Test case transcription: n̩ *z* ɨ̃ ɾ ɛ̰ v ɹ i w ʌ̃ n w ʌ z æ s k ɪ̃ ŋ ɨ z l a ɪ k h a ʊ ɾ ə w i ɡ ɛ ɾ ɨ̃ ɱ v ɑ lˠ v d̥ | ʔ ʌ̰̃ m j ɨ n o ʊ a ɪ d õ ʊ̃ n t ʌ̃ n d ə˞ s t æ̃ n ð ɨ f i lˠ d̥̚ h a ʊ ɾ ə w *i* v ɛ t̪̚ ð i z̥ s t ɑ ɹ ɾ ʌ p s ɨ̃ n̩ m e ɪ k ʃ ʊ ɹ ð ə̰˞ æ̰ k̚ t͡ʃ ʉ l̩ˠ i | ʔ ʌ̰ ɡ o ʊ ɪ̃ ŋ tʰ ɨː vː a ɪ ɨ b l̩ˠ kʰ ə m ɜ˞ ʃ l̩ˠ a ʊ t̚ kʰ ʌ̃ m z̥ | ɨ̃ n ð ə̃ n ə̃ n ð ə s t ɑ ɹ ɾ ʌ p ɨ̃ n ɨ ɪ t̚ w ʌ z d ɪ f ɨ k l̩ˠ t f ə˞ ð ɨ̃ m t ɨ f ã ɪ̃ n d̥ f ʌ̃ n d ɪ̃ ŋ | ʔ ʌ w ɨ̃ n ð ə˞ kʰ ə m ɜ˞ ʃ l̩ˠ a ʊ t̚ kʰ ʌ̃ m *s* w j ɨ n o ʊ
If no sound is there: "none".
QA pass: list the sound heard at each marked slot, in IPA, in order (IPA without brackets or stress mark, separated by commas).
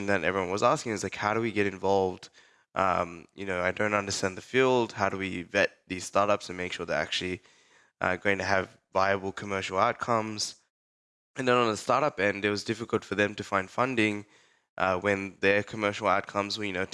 ð, i, z